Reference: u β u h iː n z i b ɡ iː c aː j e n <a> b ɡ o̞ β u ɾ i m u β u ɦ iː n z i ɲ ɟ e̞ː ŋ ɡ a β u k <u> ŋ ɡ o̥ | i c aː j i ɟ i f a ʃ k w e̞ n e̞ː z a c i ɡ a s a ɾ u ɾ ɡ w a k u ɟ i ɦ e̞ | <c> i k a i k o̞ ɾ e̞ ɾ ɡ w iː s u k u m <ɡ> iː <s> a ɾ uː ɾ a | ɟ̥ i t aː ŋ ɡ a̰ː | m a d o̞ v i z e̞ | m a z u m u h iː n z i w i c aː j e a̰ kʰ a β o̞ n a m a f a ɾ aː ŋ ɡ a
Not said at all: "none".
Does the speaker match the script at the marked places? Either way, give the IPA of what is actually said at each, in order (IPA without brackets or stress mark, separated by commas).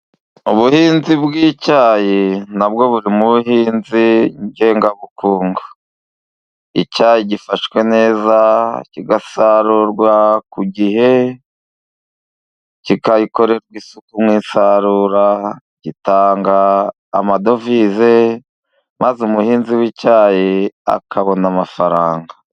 a, uː, c, ŋ, s